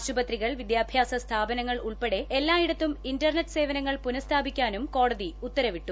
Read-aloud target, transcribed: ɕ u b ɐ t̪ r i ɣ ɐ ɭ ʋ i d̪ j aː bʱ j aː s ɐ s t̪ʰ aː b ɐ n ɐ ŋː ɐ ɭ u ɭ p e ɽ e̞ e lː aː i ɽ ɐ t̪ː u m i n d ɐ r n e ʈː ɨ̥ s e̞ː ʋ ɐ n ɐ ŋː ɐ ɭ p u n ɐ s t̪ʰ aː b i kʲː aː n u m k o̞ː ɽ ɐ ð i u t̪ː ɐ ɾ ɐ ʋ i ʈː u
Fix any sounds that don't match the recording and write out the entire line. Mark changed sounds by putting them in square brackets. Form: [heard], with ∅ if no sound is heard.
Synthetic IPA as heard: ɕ u b ɐ t̪ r i ɣ ɐ ɭ ʋ i d̪ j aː bʱ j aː s ɐ s t̪ʰ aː b ɐ n ɐ ŋː ɐ ɭ u ɭ p e ɽ e̞ e lː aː i ɽ ɐ t̪ː u m i n d ɐ r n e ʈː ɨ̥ s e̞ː ʋ ɐ n ɐ ŋː ɐ ɭ p u n ɐ s t̪ʰ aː b i kʲː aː n u m k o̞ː ɽ ɐ ð i u t̪ː ɐ ɾ ɐ ʋ i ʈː u